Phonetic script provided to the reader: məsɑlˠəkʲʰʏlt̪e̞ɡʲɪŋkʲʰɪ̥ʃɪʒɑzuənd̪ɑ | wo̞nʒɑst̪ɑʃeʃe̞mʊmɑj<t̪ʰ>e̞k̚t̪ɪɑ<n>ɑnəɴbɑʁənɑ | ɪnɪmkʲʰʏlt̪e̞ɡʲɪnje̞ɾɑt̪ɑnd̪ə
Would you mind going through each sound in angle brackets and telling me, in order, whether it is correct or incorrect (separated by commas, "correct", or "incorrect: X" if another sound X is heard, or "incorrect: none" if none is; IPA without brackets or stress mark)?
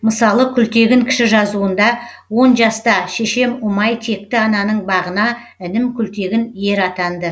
correct, correct